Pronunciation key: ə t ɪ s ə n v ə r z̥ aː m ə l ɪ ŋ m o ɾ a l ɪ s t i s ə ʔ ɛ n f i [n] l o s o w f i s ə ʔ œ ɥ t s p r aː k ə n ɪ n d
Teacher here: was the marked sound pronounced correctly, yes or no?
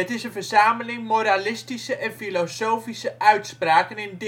no